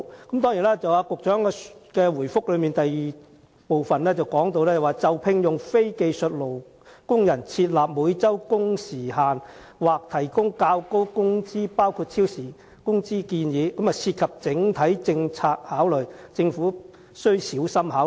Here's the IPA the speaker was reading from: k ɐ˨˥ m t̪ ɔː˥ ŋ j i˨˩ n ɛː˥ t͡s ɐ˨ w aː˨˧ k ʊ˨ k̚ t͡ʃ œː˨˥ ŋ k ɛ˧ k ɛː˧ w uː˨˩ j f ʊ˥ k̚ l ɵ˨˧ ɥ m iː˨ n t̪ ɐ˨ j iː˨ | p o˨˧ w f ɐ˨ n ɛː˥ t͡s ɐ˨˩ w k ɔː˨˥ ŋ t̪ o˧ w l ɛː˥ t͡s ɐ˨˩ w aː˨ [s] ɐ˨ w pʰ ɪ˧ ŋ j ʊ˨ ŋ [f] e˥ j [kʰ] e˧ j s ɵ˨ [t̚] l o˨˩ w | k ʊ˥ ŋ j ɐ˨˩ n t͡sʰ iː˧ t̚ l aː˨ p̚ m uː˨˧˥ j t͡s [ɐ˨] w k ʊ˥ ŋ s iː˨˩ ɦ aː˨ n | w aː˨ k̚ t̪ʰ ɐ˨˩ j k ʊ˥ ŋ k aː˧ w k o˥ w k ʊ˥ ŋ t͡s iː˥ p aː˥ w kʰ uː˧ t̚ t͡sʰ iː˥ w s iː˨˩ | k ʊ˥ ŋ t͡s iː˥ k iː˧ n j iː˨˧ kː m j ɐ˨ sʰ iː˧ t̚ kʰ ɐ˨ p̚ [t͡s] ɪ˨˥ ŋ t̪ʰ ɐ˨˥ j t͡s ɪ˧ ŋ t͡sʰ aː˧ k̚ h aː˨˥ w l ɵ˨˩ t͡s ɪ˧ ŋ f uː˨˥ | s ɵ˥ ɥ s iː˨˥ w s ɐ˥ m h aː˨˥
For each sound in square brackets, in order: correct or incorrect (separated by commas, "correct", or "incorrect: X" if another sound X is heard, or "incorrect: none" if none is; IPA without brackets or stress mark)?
incorrect: t͡s, correct, incorrect: k, correct, incorrect: ɐ˥, correct